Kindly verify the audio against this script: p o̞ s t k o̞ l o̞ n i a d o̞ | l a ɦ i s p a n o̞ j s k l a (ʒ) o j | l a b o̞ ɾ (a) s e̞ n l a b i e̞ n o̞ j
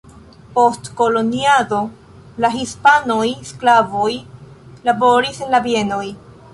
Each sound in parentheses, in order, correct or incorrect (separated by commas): incorrect, incorrect